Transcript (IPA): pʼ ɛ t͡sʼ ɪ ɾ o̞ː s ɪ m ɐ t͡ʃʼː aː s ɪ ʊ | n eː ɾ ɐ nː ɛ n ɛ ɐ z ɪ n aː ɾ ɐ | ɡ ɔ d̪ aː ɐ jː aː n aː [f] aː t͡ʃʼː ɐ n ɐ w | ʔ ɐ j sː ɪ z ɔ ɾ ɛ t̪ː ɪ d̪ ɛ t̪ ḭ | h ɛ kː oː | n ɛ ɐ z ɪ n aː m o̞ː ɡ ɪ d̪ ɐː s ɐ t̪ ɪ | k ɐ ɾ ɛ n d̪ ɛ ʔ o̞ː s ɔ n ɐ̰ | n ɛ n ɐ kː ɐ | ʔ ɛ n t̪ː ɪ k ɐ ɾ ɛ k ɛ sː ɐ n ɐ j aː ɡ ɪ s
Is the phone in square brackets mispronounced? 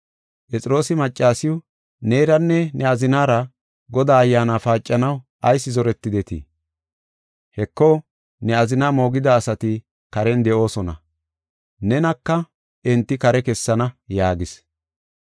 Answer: no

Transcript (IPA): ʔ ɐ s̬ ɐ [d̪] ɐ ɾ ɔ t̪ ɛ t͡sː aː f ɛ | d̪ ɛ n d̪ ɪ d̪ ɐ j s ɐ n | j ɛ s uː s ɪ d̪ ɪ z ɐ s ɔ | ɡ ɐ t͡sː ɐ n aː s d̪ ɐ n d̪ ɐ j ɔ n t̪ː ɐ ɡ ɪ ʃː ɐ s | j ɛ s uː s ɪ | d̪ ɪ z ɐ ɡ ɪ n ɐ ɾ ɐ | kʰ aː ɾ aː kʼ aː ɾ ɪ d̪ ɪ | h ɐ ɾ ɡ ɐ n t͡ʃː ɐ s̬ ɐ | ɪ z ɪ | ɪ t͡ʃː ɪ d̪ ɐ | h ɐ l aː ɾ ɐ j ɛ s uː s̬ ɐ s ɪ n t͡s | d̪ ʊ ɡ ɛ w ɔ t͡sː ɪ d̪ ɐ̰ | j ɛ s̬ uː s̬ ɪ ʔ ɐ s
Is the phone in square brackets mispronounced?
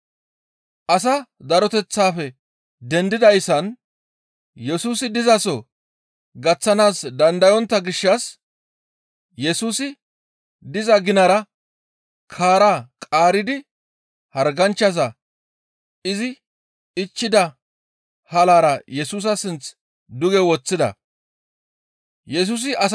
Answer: no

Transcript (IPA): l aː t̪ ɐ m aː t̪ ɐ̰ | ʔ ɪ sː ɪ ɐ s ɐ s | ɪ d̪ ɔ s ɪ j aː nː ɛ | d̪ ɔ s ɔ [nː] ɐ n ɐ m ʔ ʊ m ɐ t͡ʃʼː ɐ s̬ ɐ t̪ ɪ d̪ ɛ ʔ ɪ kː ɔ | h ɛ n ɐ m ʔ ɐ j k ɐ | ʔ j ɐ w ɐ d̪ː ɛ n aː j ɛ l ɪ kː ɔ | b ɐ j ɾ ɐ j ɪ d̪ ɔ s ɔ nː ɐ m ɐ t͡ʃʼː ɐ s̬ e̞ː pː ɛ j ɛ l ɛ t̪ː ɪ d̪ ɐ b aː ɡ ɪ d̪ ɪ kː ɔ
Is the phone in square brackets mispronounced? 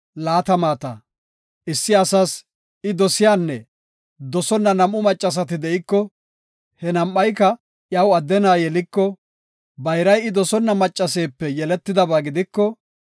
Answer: no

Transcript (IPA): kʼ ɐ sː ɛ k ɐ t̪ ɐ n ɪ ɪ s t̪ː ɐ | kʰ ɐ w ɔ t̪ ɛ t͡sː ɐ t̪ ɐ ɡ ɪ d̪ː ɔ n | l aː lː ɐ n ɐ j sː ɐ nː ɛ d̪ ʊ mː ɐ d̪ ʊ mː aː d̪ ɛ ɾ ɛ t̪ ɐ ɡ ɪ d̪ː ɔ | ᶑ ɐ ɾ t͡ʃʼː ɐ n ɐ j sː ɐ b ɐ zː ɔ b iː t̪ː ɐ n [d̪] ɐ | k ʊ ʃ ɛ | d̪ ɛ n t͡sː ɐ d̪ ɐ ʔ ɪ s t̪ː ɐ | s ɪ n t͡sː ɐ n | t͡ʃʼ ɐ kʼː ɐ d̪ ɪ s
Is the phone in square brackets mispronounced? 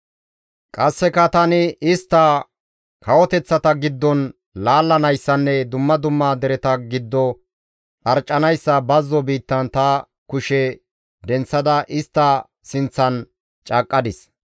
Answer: yes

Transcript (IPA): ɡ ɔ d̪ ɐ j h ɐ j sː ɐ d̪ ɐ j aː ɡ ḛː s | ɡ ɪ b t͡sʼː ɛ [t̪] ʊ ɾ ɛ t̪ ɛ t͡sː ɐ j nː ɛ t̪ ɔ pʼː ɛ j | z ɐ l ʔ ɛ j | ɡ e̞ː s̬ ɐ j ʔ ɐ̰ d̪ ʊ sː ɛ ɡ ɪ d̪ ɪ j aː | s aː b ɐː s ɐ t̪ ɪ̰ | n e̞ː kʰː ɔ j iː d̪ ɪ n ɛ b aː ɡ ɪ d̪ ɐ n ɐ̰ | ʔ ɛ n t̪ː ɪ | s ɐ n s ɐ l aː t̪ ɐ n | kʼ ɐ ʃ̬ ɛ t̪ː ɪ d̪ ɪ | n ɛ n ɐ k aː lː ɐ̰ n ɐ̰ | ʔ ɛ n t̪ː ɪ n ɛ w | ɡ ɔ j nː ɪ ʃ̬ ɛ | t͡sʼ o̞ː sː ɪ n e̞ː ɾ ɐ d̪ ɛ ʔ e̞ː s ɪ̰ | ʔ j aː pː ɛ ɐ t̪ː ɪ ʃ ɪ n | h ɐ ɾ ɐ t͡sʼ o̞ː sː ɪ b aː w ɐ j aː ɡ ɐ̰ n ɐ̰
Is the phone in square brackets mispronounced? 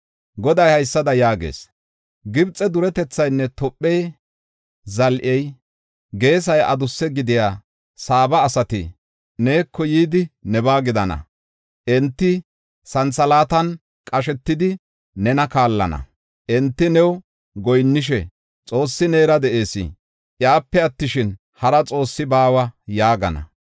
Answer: yes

